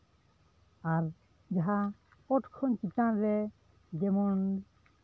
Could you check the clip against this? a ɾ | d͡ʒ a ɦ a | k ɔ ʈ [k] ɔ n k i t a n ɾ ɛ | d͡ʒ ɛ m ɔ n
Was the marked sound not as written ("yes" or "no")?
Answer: yes